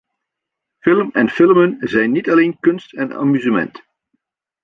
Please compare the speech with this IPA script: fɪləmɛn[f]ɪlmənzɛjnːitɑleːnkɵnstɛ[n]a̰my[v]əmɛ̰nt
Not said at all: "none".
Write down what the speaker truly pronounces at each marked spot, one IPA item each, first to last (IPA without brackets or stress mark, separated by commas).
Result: f, n, z